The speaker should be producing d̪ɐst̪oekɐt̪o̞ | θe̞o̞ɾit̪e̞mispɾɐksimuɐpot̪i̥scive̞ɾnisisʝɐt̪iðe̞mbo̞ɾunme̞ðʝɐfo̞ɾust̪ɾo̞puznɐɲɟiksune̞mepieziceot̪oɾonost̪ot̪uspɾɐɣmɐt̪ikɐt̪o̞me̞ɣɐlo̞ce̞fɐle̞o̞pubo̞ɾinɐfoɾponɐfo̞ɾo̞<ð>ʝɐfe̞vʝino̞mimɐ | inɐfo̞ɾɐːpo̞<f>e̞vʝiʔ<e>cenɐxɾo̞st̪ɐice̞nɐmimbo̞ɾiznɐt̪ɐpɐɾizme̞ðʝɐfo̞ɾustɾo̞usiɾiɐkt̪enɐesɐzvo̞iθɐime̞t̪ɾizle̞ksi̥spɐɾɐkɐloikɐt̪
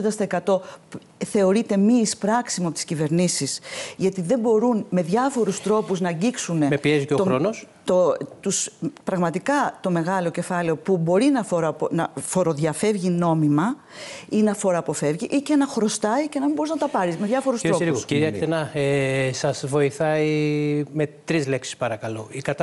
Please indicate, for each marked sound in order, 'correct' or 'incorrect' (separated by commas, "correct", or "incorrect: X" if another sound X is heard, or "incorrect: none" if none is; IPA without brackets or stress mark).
correct, correct, incorrect: i